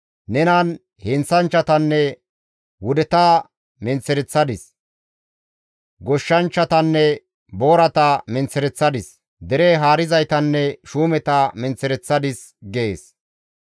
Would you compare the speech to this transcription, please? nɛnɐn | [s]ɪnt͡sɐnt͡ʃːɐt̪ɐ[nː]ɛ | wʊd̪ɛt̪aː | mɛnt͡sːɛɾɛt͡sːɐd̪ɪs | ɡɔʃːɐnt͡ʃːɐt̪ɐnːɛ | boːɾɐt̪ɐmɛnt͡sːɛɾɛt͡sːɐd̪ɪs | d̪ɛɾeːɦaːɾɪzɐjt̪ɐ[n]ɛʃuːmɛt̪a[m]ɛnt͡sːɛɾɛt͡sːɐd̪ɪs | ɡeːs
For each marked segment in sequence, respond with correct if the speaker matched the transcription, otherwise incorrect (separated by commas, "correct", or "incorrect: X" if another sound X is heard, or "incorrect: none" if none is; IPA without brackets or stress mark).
incorrect: h, correct, incorrect: nː, correct